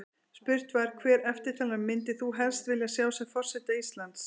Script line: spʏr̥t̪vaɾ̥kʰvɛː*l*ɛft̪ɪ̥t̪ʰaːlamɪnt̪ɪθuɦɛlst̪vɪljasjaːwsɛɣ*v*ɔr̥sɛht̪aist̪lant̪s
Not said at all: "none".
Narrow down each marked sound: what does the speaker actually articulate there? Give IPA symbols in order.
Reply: ɾ, f

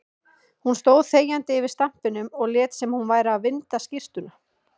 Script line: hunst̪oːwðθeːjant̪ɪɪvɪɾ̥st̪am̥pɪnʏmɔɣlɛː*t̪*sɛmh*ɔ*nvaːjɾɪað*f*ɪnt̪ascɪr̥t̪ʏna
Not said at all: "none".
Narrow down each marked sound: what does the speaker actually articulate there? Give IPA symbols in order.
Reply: t̪, u, v

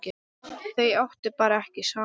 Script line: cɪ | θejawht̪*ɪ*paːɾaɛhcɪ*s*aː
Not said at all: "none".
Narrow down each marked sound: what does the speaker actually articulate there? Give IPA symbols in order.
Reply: ɪ, s

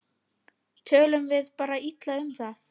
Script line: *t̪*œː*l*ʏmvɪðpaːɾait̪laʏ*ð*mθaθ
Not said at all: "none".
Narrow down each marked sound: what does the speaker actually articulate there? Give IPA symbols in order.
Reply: t̪ʰ, l, none

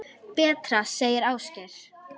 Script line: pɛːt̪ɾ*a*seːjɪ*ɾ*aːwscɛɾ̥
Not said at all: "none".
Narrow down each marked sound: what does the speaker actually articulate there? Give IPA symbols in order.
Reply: a, ɾ

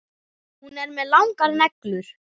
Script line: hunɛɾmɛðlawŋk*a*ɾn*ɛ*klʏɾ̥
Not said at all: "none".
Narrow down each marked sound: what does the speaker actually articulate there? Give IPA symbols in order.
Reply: a, ɛ

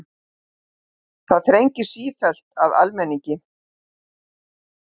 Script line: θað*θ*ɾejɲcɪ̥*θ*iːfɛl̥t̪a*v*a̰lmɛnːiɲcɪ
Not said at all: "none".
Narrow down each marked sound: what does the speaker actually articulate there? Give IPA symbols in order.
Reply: θ, s, ð

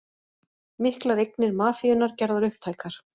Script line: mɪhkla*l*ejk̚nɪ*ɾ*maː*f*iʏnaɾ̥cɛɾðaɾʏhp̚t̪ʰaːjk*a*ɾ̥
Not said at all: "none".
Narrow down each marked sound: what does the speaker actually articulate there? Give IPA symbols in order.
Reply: ɾ, ɾ, f, a

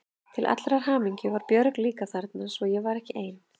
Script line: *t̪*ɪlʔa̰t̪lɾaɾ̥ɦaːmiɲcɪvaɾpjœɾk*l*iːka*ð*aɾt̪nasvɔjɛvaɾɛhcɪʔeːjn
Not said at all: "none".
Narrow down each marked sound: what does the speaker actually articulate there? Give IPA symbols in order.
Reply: t̪ʰ, l, θ

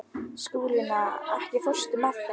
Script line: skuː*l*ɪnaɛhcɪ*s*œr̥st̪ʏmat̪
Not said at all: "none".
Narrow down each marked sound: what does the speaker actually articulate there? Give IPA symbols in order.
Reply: l, f

